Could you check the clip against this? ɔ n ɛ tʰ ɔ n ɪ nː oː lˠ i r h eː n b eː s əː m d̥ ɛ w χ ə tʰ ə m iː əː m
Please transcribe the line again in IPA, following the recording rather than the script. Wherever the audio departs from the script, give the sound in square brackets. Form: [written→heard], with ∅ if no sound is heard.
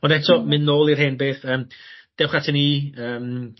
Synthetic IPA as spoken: ɔ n ɛ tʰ ɔ [n→m] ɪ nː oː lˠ i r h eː n b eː [s→θ] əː m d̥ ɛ w χ [ə→a] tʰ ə [m→n] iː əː m